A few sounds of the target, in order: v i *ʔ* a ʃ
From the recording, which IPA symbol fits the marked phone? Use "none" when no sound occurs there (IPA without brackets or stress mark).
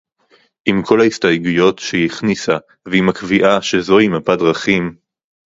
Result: ʔ